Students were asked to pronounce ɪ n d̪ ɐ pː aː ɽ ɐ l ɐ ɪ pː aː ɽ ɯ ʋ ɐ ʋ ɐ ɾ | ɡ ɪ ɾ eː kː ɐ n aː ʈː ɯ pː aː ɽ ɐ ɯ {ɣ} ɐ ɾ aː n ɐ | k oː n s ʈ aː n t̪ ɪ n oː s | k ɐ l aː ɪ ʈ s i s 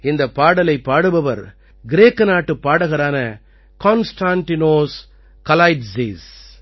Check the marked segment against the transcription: correct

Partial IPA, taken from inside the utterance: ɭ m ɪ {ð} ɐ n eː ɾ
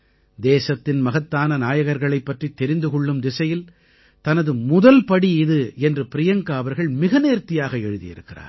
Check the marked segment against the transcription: incorrect: ɣ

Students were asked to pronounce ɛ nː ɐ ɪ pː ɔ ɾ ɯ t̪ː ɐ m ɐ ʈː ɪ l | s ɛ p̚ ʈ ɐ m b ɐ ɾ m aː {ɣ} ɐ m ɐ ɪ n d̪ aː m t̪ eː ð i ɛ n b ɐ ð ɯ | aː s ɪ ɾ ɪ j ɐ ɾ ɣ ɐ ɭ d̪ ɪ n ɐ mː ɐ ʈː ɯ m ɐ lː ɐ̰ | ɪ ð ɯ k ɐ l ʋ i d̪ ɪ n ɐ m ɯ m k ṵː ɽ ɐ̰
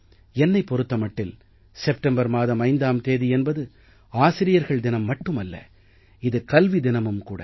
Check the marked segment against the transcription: incorrect: ð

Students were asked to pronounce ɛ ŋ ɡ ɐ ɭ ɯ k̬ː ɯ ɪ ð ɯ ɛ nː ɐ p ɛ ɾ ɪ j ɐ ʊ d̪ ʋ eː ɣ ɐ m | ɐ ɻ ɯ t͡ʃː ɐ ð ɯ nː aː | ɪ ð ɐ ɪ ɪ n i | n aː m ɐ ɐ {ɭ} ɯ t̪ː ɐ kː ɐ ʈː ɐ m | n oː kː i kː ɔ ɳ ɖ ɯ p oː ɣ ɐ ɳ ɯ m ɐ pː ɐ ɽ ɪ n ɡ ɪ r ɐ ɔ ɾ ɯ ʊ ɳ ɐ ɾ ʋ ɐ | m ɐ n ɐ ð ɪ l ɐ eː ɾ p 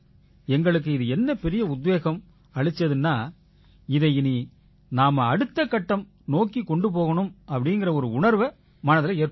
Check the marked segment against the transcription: incorrect: ɽ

